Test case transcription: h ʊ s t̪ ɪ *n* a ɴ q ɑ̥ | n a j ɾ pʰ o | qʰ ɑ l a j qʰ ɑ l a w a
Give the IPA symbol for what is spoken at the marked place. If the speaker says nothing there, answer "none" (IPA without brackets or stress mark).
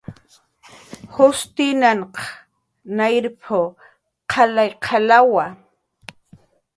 n